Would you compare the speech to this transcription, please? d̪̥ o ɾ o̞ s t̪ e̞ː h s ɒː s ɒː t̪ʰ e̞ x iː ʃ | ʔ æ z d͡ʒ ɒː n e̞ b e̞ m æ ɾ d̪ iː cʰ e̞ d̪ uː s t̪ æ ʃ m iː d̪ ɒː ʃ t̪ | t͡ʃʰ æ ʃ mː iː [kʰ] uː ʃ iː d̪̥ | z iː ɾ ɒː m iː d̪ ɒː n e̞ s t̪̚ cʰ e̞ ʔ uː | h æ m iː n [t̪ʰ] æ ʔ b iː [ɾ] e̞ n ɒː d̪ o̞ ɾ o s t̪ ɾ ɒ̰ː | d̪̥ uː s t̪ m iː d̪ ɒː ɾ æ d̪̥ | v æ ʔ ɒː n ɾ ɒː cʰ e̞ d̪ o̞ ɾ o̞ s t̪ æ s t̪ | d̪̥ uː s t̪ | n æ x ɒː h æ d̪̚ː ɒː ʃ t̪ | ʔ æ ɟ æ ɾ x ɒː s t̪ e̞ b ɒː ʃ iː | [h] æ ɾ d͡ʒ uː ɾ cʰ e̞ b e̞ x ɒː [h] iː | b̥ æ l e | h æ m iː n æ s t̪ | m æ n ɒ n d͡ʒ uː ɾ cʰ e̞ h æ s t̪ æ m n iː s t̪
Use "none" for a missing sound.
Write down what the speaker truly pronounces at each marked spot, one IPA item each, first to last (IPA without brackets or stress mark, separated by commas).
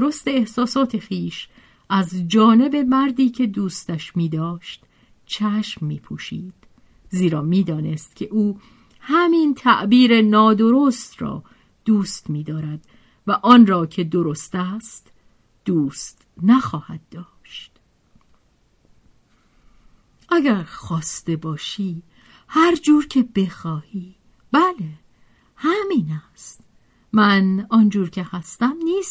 pʰ, t̪ʰ, ɾ, h, h